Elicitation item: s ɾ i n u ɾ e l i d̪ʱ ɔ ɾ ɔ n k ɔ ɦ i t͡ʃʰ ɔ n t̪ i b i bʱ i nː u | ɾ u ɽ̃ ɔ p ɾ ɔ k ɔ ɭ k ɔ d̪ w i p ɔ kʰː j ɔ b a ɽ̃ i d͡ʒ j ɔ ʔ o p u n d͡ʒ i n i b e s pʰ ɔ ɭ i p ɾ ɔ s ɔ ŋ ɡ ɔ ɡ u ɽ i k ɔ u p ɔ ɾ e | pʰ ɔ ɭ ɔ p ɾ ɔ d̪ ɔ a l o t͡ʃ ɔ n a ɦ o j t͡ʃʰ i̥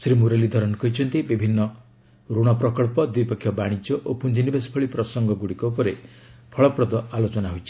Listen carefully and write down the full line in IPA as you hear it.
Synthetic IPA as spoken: s ɾ i m u ɾ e l i d̪ʱ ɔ ɾ ɔ n k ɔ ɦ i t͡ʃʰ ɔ n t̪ i b i bʱ i nː ɔ | ɾ u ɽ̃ ɔ p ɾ ɔ k ɔ ɭ p ɔ d̪ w i p ɔ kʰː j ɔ b a ɽ̃ i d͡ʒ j ɔ ʔ o p u n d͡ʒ i n i b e s pʰ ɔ ɭ i p ɾ ɔ s ɔ ŋ ɡ ɔ ɡ u ɽ i k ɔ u p ɔ ɾ e | pʰ ɔ ɭ ɔ p ɾ ɔ d̪ ɔ a l o t͡ʃ ɔ n a ɦ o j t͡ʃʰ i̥

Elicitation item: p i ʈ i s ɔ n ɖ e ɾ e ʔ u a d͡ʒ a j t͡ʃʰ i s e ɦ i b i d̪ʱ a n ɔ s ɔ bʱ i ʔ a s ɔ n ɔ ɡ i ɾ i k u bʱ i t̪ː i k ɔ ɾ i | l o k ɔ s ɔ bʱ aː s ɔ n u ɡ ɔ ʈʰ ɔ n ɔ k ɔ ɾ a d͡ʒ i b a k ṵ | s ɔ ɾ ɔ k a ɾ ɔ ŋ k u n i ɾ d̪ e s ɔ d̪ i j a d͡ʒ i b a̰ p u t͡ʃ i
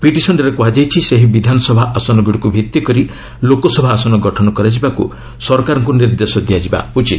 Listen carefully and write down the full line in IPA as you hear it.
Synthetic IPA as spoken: p i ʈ i s ɔ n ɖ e ɾ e k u a d͡ʒ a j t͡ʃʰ i s e ɦ i b i d̪ʱ a n ɔ s ɔ bʱ a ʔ a s ɔ n ɔ ɡ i ɽ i k u bʱ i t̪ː i k ɔ ɾ i | l o k ɔ s ɔ bʱ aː s ɔ n ɔ ɡ ɔ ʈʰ ɔ n ɔ k ɔ ɾ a d͡ʒ i b a k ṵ | s ɔ ɾ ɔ k a ɾ ɔ ŋ k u n i ɾ d̪ e s ɔ d̪ i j a d͡ʒ i b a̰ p u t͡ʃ i

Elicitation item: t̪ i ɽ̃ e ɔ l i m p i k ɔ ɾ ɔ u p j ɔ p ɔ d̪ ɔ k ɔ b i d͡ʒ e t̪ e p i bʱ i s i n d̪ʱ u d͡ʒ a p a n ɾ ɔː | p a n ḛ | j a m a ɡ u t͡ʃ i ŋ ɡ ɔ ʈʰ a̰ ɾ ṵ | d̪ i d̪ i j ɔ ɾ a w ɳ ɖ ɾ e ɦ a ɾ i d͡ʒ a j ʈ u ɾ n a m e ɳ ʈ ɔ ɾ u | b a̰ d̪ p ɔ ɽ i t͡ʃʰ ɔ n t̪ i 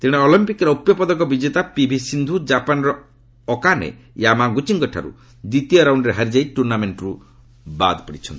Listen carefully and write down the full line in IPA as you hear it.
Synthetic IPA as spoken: t̪ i ɽ̃ e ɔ l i m p i k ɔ ɾ ɔ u p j ɔ p ɔ d̪ ɔ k ɔ b i d͡ʒ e t̪ a p i bʱ i s i n d̪ʱ u d͡ʒ a p a n ɾ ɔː | k a n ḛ | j a m a ɡ u t͡ʃ i ŋ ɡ ɔ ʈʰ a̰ ɾ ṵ | d̪ i t̪ i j ɔ ɾ a w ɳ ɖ ɾ e ɦ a ɾ i d͡ʒ a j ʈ u ɾ n a m e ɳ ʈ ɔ ɾ u | b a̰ d̪ p ɔ ɽ i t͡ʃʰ ɔ n t̪ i

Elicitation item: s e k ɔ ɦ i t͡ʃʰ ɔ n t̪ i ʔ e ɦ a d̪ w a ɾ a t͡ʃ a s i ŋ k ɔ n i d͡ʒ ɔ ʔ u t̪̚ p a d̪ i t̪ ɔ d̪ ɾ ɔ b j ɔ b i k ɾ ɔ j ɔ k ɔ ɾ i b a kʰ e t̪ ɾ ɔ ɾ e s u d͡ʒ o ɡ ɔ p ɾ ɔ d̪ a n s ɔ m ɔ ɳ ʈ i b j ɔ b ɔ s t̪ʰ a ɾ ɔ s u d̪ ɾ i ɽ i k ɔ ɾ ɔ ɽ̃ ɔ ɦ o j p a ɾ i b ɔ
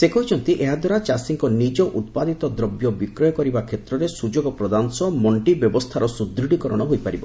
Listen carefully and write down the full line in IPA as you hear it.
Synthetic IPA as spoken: s e k ɔ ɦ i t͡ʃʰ ɔ n t̪ i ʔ e ɦ a d̪ w a ɾ a t͡ʃ a s i ŋ k ɔ n i d͡ʒ ɔ ʔ u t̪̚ p a d̪ i t̪ ɔ d̪ ɾ ɔ b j ɔ b i k ɾ ɔ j ɔ k ɔ ɾ i b a kʰ e t̪ ɾ ɔ ɾ e s u d͡ʒ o ɡ ɔ p ɾ ɔ d̪ a n s ɔ m ɔ ɳ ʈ i b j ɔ b ɔ s t̪ʰ a ɾ ɔ s u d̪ ɾ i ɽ i k ɔ ɾ ɔ ɽ̃ ɔ ɦ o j p a ɾ i b ɔ

